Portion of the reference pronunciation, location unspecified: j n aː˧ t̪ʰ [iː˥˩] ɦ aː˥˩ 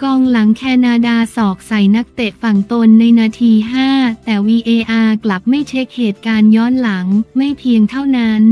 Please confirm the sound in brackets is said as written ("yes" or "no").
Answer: no